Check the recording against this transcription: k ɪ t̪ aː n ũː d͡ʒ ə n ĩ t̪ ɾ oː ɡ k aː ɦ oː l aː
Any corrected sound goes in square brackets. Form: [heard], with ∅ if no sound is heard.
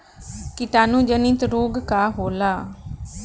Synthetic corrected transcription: k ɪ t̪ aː n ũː d͡ʒ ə n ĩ t̪ ɾ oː ɡ k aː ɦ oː l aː